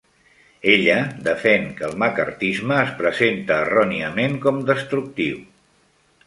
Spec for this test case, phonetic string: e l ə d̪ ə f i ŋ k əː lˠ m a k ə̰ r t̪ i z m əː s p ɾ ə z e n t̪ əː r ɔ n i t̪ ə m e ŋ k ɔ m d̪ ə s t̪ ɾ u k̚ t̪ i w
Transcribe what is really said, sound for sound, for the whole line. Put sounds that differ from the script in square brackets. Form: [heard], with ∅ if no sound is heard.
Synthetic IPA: e [ʎ] ə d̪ ə f [ɛ] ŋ k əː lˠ m a k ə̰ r t̪ i z m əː s p ɾ ə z e n t̪ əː r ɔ n i [∅] ə m e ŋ k ɔ m d̪ ə s t̪ ɾ u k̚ t̪ i w